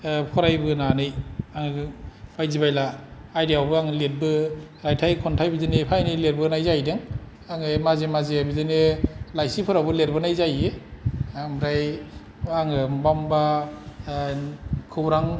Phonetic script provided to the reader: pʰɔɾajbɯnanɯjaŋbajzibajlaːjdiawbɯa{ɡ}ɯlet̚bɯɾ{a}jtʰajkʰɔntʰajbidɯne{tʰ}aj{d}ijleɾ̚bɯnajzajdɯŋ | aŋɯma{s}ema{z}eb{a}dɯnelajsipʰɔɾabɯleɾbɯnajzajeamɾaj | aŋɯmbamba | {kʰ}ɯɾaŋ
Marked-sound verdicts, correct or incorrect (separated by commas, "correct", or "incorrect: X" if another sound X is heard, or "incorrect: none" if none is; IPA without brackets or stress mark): incorrect: ŋ, correct, incorrect: pʰ, incorrect: n, incorrect: z, correct, incorrect: i, correct